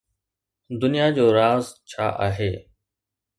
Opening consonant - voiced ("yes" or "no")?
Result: yes